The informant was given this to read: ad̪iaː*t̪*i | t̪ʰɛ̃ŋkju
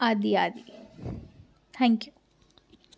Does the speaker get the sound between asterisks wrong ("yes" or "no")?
yes